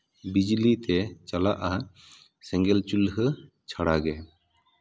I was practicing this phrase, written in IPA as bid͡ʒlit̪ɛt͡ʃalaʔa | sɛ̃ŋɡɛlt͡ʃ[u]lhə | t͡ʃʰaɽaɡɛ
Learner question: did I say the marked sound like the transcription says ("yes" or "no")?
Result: yes